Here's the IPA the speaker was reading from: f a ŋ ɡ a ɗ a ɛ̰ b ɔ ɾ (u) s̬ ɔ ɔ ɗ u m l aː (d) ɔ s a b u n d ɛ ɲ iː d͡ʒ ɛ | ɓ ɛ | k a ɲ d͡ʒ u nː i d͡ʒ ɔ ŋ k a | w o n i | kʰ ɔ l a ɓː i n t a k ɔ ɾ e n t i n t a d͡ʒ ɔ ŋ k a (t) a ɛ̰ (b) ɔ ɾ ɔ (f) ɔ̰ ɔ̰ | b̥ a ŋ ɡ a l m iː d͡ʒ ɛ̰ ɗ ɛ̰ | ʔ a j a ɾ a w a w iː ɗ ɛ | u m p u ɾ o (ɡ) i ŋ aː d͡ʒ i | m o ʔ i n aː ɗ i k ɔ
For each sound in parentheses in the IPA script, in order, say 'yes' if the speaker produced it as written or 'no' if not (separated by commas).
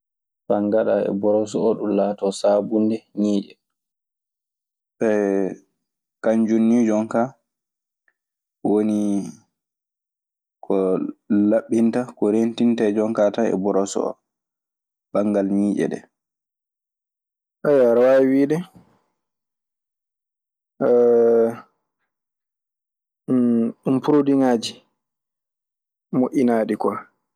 no, no, yes, yes, no, no